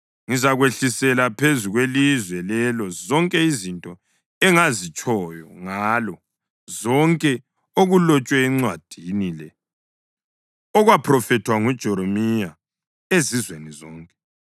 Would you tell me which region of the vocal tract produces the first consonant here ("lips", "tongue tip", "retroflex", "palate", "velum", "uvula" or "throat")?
velum